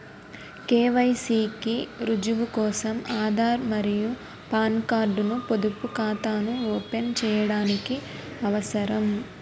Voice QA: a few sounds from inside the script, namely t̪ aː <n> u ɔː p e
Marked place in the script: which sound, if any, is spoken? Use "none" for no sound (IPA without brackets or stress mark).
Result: n